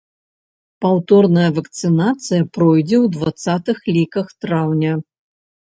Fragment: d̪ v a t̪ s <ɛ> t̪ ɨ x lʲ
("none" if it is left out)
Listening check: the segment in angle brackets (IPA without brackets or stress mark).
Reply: a